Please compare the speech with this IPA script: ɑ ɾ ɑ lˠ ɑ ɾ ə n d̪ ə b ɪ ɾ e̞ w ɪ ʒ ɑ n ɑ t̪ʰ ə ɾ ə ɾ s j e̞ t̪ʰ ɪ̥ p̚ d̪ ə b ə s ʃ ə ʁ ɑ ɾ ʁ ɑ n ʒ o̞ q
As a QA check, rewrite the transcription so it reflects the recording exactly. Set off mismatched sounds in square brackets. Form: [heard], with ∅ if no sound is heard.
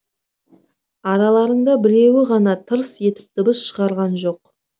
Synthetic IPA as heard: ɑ ɾ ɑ lˠ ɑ ɾ ə [ɴ] d̪ [ɑ] b ɪ ɾ e̞ w ɪ [ʁ] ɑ n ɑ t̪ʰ ə ɾ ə [∅] s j e̞ [t̪] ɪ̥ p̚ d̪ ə b ə s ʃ ə ʁ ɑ ɾ ʁ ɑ n ʒ o̞ q